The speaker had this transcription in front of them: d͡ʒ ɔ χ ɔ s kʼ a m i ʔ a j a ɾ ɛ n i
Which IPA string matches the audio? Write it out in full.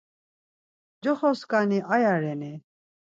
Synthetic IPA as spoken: d͡ʒ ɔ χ ɔ s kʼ a n i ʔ a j a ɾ ɛ n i